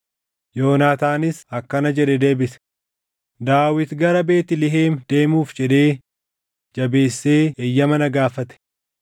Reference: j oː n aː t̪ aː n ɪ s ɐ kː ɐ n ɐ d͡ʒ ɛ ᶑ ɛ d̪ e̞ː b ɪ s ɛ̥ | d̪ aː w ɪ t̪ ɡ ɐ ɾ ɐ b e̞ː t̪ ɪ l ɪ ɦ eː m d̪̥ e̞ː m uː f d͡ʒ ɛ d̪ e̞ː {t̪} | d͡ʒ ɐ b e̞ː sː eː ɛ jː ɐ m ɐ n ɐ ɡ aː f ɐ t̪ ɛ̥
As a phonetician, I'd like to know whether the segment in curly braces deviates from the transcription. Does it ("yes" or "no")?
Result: yes